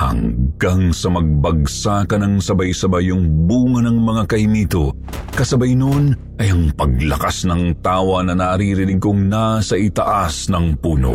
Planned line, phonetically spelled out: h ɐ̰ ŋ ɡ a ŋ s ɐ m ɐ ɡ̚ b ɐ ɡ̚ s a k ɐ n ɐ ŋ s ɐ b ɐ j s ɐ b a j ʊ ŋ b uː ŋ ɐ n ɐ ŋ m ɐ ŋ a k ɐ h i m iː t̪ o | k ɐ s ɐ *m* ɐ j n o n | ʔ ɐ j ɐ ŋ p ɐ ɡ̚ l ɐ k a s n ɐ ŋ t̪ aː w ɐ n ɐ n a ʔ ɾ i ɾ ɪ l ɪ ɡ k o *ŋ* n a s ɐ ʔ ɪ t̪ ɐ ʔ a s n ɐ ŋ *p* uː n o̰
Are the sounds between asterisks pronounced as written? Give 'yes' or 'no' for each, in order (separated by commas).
no, yes, yes